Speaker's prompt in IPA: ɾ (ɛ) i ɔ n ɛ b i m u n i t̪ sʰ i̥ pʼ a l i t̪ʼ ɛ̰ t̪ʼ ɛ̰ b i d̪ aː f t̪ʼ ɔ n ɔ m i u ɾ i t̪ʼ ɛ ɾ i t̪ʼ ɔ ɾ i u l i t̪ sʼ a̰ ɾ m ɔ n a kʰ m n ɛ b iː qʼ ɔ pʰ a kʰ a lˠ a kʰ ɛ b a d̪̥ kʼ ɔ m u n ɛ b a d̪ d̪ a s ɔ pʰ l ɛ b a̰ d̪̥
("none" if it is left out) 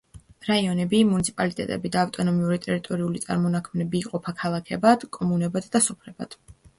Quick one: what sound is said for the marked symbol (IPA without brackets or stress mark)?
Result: a